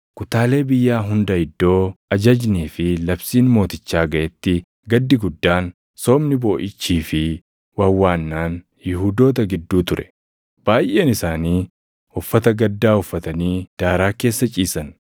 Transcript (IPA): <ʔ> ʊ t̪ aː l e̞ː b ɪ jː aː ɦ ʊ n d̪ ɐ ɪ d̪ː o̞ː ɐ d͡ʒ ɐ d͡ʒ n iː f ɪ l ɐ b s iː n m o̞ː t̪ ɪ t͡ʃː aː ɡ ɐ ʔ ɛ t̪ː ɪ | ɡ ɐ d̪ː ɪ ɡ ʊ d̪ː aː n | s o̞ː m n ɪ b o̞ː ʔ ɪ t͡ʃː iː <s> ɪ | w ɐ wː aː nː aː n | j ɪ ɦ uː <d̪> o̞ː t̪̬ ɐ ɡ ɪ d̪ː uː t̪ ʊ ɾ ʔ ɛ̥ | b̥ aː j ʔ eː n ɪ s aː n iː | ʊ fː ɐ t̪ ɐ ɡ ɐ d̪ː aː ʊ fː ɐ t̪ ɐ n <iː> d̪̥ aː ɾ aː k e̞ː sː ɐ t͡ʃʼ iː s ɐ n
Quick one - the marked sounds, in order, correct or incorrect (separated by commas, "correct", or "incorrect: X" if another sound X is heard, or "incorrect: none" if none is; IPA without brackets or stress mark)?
incorrect: k, incorrect: f, correct, correct